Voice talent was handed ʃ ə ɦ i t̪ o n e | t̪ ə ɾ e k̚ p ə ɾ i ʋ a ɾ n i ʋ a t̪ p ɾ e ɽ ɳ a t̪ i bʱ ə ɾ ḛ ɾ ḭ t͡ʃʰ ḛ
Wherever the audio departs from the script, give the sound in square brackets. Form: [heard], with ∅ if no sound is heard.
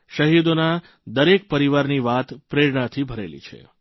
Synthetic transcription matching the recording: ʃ ə ɦ i [d̪] o n [a] | [d̪] ə ɾ e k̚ p ə ɾ i ʋ a ɾ n i ʋ a t̪ p ɾ e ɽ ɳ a [t̪ʰ] i bʱ ə ɾ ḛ [l] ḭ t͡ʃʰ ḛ

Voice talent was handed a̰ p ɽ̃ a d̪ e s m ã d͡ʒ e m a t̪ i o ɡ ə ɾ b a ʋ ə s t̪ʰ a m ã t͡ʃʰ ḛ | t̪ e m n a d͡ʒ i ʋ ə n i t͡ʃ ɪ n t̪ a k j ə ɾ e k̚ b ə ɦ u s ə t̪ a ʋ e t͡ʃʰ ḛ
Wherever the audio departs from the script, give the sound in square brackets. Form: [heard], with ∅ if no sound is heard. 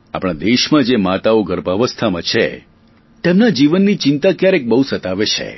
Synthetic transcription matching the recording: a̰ p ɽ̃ a d̪ e [ʃ] m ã d͡ʒ e m a t̪ [a] o ɡ ə ɾ b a ʋ ə s t̪ʰ a m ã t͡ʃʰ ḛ | t̪ e m n a d͡ʒ i ʋ ə [nː] i t͡ʃ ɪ n t̪ a k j [a] ɾ e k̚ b ə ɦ u s ə t̪ a ʋ e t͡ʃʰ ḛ

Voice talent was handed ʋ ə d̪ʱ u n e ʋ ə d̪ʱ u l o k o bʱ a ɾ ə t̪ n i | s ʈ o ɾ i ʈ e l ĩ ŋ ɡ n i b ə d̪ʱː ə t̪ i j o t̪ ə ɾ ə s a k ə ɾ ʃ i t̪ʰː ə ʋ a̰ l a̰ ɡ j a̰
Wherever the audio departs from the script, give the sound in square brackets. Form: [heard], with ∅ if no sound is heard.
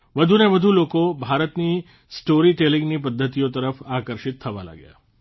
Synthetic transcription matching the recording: ʋ ə d̪ʱ u n e ʋ ə d̪ʱ u l o k o bʱ a ɾ ə t̪ n i | s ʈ o ɾ i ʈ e l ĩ ŋ ɡ n i [p] ə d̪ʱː ə t̪ i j o t̪ ə ɾ ə [f] a k ə ɾ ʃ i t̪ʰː ə ʋ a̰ l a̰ ɡ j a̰

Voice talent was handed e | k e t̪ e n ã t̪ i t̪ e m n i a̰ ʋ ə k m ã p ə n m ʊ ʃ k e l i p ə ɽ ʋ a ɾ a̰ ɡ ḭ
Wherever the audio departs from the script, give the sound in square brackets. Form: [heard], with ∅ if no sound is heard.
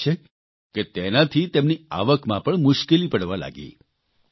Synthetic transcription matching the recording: e | k e t̪ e n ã [t̪ʰ] i t̪ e m n i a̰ ʋ ə k m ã p ə [ɳ] m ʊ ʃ k e l i p ə ɽ ʋ a [l] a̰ ɡ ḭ

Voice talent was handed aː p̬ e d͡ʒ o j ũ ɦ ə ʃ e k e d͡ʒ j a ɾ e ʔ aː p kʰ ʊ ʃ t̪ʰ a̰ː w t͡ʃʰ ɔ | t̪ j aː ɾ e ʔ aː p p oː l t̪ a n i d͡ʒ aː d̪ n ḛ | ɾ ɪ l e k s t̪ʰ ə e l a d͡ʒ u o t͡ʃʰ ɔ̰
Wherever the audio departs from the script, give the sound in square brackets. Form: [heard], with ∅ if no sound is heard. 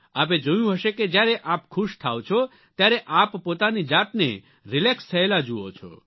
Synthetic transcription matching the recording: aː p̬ e d͡ʒ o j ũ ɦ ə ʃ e k e d͡ʒ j a ɾ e ʔ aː p kʰ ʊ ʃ t̪ʰ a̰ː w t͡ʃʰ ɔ | t̪ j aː ɾ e ʔ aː p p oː [∅] t̪ a n i d͡ʒ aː [t̪] n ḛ | ɾ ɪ l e k s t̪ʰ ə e l a d͡ʒ u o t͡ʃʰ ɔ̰

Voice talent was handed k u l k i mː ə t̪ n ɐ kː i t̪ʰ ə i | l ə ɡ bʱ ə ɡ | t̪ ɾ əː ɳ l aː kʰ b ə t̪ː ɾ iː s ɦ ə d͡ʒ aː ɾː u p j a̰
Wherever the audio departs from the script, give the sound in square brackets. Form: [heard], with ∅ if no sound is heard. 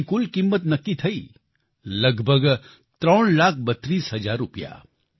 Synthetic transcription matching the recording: k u l k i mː ə t̪ n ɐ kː i t̪ʰ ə i | l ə ɡ bʱ ə ɡ | t̪ ɾ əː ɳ l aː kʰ b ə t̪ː ɾ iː s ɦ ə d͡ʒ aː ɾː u p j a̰

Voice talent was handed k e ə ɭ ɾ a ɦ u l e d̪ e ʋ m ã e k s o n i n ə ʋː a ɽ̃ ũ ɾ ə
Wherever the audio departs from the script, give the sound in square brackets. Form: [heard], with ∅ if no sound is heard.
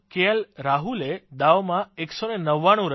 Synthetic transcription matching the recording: k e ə [l] ɾ a ɦ u l e d̪ [a] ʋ m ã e k s o n [e] n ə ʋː a ɽ̃ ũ ɾ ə

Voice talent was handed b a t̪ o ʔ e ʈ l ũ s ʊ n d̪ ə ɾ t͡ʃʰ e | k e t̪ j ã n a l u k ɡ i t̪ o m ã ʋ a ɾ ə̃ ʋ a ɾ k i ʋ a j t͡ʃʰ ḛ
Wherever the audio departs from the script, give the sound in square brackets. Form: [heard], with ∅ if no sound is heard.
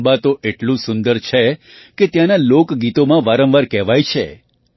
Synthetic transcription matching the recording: b a t̪ o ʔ e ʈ l ũ s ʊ n d̪ ə ɾ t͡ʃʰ e | k e t̪ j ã n a l [o] k ɡ i t̪ o m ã ʋ a ɾ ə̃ ʋ a ɾ k [ɛ] ʋ a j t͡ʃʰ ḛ

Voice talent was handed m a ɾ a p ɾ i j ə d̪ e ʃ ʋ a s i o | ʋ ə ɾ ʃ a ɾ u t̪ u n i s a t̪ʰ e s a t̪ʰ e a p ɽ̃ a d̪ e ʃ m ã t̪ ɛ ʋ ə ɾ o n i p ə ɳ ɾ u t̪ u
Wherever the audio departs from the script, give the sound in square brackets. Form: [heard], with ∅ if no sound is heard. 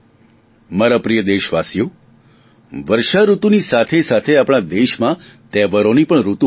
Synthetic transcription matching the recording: m a ɾ a p ɾ i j ə d̪ e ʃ ʋ a s [j] o | ʋ ə ɾ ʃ a ɾ u t̪ u n i s a t̪ʰ e s a t̪ʰ e a p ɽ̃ a d̪ e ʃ m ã t̪ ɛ ʋ ə ɾ o n i p ə ɳ ɾ u t̪ u

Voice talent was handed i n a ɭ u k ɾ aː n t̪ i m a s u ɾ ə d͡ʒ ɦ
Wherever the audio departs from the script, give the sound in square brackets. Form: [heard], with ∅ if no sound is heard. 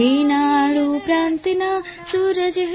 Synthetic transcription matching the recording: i n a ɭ u [p] ɾ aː n t̪ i [n] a s u ɾ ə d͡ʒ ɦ

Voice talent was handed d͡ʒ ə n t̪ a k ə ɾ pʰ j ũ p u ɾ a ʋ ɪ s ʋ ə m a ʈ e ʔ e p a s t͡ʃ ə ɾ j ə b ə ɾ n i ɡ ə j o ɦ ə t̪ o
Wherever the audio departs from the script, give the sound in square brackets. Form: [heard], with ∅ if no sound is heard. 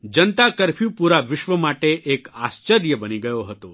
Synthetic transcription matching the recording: d͡ʒ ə n t̪ a k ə ɾ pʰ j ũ p u ɾ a ʋ ɪ [ʃ] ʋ ə m a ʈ e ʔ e [k] a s t͡ʃ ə ɾ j ə b ə [∅] n i ɡ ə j o ɦ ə t̪ o

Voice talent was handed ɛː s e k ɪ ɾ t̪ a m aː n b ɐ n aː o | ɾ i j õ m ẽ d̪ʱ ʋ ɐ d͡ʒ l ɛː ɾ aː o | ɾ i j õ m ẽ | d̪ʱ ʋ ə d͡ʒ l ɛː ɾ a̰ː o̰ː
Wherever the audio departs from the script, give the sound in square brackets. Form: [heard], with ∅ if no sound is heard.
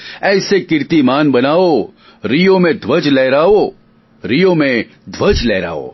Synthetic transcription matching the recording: ɛː s e k ɪ ɾ t̪ [i] m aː n b ɐ n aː o | ɾ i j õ m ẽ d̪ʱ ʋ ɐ d͡ʒ l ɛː ɾ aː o | ɾ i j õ m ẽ | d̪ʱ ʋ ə d͡ʒ l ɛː ɾ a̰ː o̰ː

